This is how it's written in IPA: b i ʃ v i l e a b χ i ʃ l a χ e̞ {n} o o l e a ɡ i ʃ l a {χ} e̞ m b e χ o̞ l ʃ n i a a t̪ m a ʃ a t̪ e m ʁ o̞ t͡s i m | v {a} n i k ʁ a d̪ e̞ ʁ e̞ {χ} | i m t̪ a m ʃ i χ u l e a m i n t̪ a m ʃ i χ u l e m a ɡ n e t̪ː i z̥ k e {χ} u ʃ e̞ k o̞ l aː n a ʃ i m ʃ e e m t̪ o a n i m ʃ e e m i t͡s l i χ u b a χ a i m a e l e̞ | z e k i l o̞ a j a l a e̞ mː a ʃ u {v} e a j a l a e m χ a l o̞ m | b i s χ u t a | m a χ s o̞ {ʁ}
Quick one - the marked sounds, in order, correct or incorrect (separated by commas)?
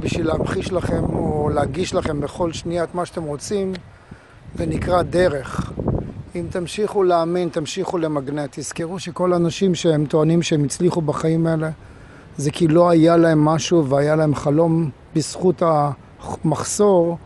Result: incorrect, correct, incorrect, correct, incorrect, correct, correct